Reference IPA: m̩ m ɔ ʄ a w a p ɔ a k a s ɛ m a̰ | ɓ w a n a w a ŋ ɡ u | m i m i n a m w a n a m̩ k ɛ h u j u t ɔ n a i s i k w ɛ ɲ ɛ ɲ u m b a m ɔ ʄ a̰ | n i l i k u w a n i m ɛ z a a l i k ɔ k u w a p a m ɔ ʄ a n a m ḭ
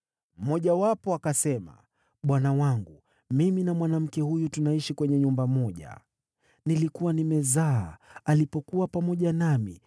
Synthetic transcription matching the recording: m̩ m ɔ ʄ a w a p ɔ a k a s ɛ m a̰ | ɓ w a n a w a ŋ ɡ u | m i m i n a m w a n a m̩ k ɛ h u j u t u n a i ʃ i k w ɛ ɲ ɛ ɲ u m b a m ɔ ʄ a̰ | n i l i k u w a n i m ɛ z a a l i p ɔ k u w a p a m ɔ ʄ a n a m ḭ